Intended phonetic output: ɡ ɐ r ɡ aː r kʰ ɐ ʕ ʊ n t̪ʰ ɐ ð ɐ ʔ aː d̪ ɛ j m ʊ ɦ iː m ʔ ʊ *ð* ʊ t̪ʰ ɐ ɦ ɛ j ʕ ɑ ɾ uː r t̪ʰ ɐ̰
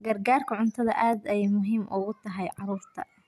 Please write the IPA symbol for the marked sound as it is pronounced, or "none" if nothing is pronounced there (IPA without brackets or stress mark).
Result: ɣ